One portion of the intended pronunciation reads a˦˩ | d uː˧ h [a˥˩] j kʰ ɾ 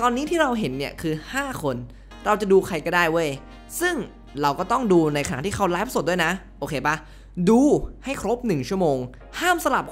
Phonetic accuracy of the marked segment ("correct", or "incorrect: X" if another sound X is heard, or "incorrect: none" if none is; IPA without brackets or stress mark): correct